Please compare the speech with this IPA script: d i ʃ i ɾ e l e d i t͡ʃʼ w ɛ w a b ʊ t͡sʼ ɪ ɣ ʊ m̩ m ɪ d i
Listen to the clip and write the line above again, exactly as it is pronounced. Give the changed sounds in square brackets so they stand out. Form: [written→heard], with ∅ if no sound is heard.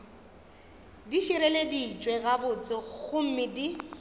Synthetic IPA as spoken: d i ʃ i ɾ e l e d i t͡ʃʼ w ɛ [w→ɣ] a b ʊ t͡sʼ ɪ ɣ ʊ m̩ m ɪ d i